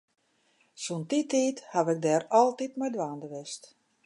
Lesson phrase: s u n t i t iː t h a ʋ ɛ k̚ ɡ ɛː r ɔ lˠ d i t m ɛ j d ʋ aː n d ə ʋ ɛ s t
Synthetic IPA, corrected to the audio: s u n t i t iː t h a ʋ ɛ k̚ d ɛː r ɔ lˠ t i t m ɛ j d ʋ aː n d ə ʋ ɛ s t